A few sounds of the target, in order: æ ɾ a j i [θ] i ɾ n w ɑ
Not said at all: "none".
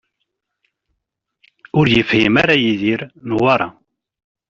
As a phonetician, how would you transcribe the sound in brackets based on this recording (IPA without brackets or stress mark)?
ð